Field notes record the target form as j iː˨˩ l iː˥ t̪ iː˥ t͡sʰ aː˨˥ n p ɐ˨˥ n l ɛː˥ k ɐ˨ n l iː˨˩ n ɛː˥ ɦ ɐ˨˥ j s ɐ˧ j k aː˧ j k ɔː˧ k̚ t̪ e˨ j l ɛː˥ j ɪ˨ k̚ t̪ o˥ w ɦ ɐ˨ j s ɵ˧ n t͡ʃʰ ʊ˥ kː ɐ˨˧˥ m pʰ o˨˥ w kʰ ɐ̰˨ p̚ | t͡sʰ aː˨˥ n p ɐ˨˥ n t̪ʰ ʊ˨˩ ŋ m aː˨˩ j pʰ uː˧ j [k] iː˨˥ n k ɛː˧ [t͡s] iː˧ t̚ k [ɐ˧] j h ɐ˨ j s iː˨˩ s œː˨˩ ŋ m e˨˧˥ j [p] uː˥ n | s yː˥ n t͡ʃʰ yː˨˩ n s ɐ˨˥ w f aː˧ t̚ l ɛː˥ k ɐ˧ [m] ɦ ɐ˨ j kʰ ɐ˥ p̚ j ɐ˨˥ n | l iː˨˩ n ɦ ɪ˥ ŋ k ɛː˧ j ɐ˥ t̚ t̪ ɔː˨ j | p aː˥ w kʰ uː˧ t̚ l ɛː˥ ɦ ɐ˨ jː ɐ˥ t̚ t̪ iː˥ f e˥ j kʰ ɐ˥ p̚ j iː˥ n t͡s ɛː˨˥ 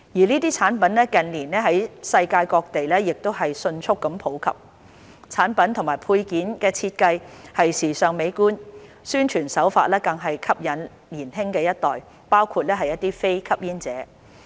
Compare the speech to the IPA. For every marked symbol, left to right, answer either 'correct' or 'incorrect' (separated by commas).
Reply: correct, incorrect, correct, incorrect, incorrect